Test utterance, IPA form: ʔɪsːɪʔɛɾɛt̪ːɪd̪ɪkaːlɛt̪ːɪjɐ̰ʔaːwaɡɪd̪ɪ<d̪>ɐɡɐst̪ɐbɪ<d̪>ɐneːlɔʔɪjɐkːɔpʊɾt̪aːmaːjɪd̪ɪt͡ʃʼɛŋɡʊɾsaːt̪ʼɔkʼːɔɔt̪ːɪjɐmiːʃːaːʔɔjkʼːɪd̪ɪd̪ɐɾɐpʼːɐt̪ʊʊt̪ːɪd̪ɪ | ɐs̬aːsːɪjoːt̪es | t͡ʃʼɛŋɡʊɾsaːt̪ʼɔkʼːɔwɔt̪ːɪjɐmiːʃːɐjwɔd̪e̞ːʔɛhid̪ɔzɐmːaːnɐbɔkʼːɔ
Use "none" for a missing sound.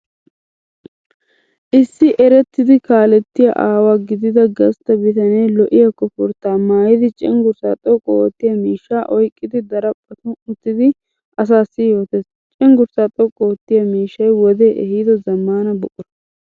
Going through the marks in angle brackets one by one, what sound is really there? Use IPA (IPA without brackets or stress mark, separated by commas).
d̪, t̪